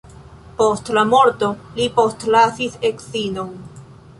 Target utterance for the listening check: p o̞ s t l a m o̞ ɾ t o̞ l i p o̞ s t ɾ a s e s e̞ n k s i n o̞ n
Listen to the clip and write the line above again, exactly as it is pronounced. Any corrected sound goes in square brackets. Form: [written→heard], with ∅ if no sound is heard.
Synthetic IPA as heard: p o̞ s t l a m o̞ ɾ t o̞ l i p o̞ s t [ɾ→l] a s [e→i] s e̞ [n→∅] k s i n o̞ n